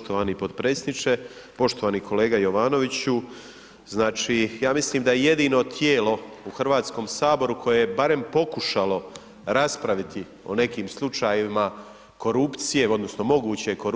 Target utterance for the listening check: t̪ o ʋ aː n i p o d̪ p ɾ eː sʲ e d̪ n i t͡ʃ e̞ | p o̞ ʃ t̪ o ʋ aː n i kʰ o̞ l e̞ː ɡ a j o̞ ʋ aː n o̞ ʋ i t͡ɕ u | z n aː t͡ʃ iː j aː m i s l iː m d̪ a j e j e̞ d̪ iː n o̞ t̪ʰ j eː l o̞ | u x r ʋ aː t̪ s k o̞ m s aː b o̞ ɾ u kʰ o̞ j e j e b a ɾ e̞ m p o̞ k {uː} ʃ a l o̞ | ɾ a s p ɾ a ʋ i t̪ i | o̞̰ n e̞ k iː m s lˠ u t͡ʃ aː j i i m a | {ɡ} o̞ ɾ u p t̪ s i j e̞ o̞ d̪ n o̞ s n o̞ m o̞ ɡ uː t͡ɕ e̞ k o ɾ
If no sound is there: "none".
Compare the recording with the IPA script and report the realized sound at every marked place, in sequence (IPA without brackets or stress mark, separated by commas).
u, k